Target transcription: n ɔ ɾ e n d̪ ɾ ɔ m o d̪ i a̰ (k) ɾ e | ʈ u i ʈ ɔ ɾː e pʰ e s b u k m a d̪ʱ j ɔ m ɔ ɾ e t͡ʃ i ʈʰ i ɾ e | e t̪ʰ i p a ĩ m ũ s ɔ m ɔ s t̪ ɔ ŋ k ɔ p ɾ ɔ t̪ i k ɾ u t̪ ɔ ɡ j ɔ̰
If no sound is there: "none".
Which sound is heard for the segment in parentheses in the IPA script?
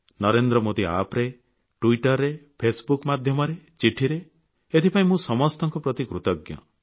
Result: p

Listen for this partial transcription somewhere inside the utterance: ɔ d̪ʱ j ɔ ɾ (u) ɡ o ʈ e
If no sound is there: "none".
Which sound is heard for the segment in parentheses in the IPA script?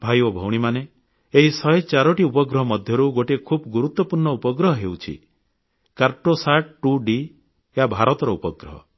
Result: u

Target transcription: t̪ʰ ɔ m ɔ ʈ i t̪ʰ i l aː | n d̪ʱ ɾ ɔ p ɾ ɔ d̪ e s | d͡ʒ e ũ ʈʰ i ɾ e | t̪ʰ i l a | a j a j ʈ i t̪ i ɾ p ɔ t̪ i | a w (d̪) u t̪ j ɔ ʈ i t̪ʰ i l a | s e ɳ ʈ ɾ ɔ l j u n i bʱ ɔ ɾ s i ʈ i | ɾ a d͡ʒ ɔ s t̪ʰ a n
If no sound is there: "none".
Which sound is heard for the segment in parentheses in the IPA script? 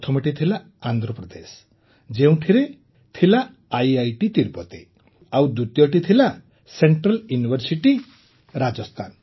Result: d̪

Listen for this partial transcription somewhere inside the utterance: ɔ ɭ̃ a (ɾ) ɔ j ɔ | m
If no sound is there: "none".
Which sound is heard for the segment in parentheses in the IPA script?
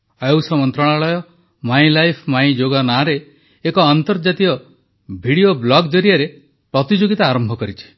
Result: ɭ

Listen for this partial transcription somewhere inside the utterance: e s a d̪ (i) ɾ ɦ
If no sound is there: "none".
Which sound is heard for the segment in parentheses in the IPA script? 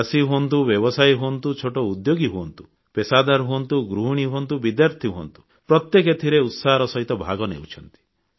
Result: a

